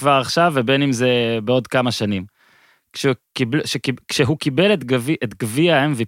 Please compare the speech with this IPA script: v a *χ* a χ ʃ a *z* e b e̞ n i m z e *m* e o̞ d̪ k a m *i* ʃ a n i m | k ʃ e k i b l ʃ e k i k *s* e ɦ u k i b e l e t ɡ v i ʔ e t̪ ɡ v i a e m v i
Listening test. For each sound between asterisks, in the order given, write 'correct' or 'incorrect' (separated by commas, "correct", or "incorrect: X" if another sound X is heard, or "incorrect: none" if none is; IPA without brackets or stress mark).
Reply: incorrect: ʁ, incorrect: v, incorrect: b, incorrect: a, incorrect: ʃ